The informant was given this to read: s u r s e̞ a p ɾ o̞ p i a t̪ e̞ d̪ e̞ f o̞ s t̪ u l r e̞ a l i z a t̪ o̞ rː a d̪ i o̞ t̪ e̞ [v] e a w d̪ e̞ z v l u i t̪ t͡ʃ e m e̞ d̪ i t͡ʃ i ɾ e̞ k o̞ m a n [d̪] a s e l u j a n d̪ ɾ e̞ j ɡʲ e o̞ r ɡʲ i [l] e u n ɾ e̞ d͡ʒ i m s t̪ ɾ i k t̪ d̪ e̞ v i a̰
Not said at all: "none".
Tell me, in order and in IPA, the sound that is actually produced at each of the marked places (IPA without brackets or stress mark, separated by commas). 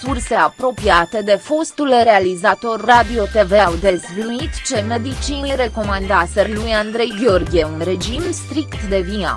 v, d̪, none